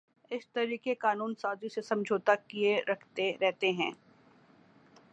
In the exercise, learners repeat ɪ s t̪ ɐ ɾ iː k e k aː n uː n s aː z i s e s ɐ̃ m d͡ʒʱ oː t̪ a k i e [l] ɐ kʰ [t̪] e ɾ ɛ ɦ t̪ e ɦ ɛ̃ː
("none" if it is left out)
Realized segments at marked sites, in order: ɾ, t̪

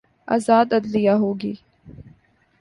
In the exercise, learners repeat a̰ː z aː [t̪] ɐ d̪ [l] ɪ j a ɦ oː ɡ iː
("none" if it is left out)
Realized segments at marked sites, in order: d̪, l

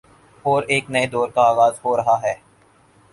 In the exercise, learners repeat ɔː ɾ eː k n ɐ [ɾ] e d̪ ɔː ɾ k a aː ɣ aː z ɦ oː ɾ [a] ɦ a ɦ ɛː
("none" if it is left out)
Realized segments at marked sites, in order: none, ɐ

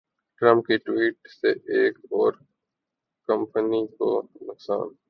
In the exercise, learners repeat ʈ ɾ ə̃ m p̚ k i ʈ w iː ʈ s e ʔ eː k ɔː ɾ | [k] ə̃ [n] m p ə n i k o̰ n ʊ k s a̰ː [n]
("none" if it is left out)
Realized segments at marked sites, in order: k, none, n

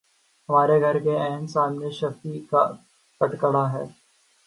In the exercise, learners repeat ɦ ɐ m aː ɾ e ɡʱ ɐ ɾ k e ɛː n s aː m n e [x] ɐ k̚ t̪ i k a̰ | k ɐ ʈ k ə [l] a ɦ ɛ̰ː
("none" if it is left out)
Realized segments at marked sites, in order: ʃ, ɽ

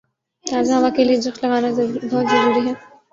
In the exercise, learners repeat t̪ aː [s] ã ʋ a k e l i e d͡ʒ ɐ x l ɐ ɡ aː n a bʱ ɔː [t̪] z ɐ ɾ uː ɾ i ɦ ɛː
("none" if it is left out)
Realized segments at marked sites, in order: z, t̪

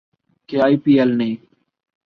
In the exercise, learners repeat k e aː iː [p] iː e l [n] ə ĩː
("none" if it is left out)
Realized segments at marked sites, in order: p, n

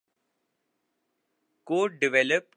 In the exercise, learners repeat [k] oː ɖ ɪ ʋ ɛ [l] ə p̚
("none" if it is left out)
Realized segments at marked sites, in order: k, l

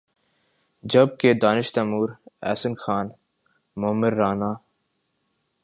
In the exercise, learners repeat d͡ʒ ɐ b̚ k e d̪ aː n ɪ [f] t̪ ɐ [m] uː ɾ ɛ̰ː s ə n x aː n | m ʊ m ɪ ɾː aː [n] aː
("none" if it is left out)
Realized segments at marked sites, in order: ʃ, m, n

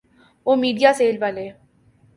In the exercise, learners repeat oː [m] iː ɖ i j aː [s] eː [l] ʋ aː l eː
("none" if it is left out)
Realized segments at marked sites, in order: m, s, l

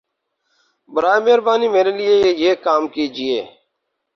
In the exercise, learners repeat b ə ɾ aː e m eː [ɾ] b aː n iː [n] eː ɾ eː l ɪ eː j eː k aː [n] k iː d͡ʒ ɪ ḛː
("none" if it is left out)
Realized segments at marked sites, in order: ɾ, m, m

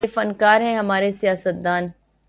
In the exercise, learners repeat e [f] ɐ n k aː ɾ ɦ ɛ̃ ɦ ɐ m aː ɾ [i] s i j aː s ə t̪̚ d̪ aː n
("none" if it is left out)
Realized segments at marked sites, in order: f, e

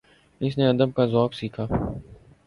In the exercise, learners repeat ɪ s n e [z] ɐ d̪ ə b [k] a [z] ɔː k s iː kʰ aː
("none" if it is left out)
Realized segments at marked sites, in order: none, k, z

